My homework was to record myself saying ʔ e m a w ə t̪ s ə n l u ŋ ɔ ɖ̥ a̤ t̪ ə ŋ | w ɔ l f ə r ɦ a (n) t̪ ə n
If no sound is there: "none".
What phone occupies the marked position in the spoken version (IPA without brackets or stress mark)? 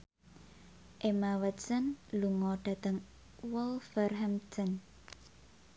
m